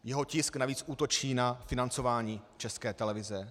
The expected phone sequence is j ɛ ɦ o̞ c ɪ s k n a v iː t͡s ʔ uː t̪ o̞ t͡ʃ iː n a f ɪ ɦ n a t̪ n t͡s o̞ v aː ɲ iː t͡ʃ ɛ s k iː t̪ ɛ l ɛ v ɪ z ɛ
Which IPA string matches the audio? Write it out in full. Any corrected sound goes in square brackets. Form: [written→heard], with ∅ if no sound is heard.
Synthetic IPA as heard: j ɛ ɦ o̞ c ɪ s k n a v iː t͡s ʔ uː t̪ o̞ t͡ʃ iː n a f ɪ [ɦ→∅] n a [t̪→∅] n t͡s o̞ v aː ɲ iː t͡ʃ ɛ s k [iː→ɛː] t̪ ɛ l ɛ v ɪ z ɛ

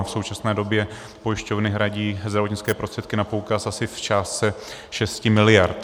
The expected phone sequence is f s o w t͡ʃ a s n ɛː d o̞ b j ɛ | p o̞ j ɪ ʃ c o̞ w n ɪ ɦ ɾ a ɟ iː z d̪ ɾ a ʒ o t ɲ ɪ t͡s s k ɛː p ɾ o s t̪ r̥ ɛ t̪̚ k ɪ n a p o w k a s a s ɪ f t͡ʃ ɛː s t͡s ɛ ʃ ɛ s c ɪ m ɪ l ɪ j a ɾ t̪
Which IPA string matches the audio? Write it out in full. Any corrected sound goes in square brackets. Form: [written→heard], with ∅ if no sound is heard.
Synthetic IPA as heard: f s o w t͡ʃ a s n ɛː d o̞ b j ɛ | p o̞ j ɪ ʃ c o̞ [w→v] n ɪ ɦ ɾ a ɟ iː z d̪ ɾ a [ʒ→v] o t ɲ ɪ t͡s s k ɛː p ɾ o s t̪ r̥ ɛ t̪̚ k ɪ n a p o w k a s a s ɪ f t͡ʃ [ɛː→aː] s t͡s ɛ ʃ ɛ s c ɪ m ɪ l ɪ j a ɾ t̪

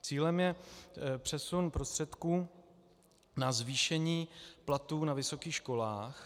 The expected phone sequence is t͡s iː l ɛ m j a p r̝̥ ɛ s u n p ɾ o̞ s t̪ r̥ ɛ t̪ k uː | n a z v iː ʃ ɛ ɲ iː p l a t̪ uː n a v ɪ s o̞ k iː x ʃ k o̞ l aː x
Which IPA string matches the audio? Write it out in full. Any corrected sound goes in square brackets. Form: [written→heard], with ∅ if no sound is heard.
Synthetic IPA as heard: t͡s iː l ɛ m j [a→ɛ] p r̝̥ ɛ s u n p ɾ o̞ s t̪ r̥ ɛ t̪ k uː | n a z v iː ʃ ɛ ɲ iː p l a t̪ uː n a v ɪ s o̞ k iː x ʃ k o̞ l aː x

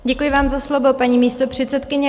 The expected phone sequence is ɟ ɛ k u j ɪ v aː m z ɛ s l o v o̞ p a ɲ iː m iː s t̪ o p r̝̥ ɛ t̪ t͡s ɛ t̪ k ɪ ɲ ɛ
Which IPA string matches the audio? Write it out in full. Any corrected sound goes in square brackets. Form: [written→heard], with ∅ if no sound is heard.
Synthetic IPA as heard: ɟ ɛ k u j ɪ v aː m z [ɛ→a] s l o v o̞ p a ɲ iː m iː s t̪ o p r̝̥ ɛ t̪ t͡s ɛ t̪ k ɪ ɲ ɛ

